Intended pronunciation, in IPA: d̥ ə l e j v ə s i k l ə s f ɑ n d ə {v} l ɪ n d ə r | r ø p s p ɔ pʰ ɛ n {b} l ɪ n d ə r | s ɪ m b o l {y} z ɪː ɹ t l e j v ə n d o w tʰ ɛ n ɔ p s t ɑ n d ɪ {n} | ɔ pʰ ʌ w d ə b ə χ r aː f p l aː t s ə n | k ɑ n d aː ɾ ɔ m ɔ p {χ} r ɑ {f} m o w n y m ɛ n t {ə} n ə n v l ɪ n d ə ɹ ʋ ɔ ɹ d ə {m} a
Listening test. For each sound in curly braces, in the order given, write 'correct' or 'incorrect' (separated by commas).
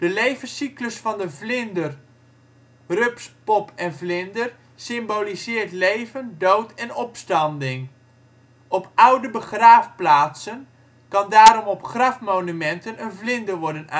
correct, incorrect, incorrect, incorrect, correct, correct, correct, incorrect